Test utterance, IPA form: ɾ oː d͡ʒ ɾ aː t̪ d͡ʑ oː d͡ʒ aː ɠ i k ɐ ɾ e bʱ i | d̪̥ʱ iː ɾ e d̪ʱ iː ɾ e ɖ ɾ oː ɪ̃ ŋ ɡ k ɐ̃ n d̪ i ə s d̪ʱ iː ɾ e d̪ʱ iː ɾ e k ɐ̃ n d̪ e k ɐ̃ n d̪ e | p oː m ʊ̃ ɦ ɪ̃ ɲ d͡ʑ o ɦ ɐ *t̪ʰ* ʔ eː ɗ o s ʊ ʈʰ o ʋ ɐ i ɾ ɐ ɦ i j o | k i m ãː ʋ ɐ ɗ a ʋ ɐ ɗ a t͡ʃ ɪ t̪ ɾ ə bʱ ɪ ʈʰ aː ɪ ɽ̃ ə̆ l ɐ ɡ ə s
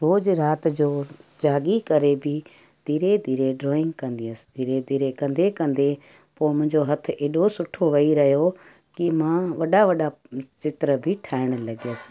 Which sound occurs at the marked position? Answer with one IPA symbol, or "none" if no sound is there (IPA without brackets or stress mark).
t̪ʰ